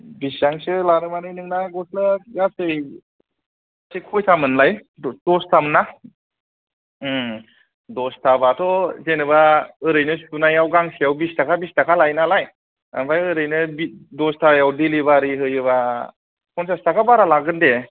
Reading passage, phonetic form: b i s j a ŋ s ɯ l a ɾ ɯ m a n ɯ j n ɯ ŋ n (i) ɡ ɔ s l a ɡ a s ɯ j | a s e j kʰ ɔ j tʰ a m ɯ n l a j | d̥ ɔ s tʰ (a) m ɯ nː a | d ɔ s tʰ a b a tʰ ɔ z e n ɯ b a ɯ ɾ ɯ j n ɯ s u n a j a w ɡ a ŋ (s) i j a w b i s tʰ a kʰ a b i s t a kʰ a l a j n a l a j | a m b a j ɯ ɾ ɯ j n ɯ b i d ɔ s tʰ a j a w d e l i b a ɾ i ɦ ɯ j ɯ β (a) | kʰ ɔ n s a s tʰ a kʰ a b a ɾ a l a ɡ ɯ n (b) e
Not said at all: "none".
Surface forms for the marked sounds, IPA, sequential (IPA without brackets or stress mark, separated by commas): a, a, s, a, d